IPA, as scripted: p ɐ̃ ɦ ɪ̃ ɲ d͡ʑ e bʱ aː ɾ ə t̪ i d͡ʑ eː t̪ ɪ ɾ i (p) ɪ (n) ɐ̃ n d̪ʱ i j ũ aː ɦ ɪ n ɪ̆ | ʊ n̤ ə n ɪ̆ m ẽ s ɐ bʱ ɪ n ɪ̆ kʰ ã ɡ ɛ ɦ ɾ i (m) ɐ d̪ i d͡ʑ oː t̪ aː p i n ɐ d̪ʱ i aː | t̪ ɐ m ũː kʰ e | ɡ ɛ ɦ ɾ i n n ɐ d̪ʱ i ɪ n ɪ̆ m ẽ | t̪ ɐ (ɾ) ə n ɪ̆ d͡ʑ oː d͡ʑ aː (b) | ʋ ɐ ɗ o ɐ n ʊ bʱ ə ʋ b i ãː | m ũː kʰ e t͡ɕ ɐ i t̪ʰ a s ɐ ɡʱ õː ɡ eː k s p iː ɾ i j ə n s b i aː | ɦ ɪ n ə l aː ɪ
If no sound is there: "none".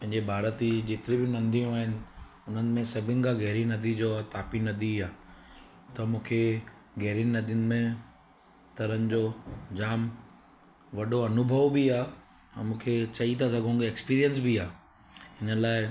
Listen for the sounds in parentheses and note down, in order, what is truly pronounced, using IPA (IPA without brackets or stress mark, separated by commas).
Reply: b, n, n, ɾ, m